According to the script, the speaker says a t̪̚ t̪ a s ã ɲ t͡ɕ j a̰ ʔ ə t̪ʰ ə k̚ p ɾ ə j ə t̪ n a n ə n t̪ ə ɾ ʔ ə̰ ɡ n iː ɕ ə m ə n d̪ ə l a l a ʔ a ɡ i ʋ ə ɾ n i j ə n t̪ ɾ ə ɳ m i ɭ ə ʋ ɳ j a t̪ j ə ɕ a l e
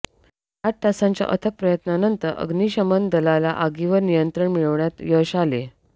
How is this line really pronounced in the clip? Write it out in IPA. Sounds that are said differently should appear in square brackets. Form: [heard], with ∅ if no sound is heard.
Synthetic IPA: a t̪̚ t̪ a s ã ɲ t͡ɕ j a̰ ʔ ə t̪ʰ ə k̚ p ɾ ə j ə t̪ n a n ə n t̪ ə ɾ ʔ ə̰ ɡ n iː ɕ ə m ə n d̪ ə l a l a ʔ a ɡ i ʋ ə ɾ n i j ə n t̪ ɾ ə ɳ m i ɭ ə ʋ ɳ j a t̪ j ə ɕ a l e